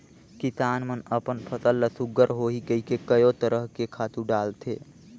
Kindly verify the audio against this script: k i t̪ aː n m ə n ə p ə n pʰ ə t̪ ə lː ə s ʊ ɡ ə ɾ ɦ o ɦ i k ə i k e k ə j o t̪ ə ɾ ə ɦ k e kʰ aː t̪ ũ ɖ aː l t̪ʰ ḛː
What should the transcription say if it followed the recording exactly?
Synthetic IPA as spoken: k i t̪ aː n m ə n ə p ə n pʰ ə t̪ ə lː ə s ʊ ɡ ə ɾ ɦ o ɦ i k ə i k e k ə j o t̪ ə ɾ ə ɦ k e kʰ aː t̪ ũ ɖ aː l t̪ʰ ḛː